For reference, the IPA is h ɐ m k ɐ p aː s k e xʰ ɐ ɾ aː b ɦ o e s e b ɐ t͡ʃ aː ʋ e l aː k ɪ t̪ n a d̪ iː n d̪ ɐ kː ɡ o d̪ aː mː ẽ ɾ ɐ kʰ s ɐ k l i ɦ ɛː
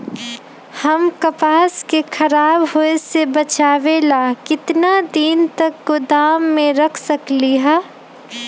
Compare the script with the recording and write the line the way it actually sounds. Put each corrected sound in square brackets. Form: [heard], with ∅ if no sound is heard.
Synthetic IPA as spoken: h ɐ m k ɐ p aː s k e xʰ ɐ ɾ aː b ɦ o e s e b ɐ t͡ʃ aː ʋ e l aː k ɪ t̪ n a d̪ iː n [t̪] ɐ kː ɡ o d̪ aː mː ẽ ɾ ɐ kʰ s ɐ k l i ɦ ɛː